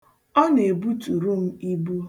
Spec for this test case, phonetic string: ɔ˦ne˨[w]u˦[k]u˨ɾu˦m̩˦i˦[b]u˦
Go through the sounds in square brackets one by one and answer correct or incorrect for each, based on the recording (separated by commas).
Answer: incorrect, incorrect, correct